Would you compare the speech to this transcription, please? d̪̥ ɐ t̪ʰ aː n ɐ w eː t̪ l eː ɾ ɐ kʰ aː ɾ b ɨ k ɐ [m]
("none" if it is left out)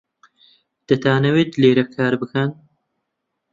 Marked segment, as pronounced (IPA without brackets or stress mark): n